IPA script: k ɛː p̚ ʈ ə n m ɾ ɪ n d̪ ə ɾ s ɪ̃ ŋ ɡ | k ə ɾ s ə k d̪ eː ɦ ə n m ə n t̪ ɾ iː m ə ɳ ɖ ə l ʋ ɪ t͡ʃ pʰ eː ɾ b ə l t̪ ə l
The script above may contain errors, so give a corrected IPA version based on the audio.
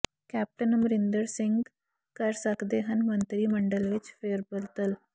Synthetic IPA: k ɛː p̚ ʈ ə n m ɾ ɪ n d̪ ə ɾ s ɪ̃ ŋ ɡ | k ə ɾ s ə k d̪ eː ɦ ə n m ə n t̪ ɾ iː m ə ɳ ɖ ə l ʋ ɪ t͡ʃ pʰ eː ɾ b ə l t̪ ə l